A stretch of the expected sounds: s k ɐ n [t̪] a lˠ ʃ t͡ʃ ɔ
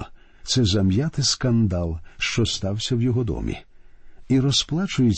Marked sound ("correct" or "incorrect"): incorrect